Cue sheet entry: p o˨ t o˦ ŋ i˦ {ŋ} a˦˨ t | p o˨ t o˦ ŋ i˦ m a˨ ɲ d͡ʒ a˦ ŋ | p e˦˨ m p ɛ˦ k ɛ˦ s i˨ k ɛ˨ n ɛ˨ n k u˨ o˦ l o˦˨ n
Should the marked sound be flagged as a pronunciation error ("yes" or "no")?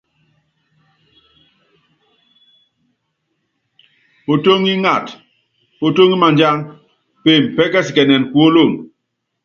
no